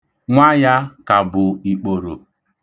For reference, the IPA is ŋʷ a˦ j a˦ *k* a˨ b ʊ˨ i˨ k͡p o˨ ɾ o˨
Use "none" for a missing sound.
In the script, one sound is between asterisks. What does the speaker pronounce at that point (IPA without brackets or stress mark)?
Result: k